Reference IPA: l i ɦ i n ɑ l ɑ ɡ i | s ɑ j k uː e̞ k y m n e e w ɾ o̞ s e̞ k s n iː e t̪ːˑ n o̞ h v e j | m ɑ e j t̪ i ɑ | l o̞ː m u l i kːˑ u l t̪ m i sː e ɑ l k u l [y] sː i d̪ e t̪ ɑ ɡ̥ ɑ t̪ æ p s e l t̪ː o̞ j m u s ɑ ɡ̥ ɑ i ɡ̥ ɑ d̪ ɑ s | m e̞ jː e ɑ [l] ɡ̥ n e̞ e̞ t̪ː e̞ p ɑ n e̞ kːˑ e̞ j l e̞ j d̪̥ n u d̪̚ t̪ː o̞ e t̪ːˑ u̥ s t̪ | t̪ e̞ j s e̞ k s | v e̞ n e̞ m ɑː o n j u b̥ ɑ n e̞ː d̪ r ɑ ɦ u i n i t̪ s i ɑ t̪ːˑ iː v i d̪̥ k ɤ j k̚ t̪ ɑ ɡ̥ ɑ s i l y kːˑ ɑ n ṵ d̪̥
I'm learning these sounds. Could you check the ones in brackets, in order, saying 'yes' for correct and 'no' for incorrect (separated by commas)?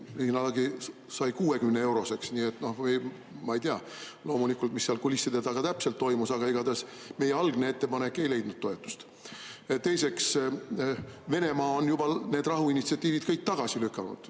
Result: no, yes